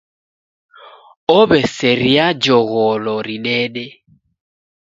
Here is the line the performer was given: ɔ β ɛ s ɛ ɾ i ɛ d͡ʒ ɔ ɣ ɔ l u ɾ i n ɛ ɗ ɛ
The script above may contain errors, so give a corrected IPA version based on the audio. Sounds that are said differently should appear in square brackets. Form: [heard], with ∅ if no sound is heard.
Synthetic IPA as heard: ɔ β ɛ s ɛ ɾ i [a] d͡ʒ ɔ ɣ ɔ l [ɔ] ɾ i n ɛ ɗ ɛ